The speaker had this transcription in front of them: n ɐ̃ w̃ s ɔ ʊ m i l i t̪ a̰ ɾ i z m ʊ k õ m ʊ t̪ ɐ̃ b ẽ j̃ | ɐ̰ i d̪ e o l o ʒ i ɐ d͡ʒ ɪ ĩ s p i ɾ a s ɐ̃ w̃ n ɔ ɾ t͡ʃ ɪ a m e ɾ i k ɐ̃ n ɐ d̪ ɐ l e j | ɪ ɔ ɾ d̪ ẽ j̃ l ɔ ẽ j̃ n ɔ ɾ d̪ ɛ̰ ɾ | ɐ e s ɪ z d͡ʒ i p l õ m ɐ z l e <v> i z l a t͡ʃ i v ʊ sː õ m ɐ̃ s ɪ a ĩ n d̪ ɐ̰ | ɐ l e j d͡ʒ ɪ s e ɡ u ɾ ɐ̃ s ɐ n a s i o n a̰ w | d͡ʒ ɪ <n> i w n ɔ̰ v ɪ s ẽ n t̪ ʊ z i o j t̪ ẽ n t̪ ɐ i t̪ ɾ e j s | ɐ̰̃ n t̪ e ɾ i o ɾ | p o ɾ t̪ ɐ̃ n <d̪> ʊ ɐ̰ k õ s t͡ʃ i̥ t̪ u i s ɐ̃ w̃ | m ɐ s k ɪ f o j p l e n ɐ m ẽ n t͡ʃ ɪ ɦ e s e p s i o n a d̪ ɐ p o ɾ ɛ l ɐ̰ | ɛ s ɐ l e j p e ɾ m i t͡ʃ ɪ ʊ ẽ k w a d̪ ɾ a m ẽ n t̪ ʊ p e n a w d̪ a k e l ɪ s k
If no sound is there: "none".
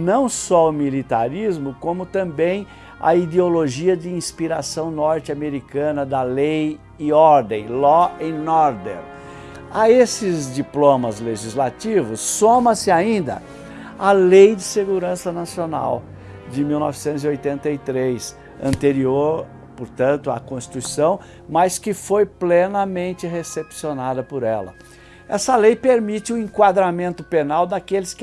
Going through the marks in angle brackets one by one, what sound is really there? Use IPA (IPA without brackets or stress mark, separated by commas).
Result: ʒ, m, t̪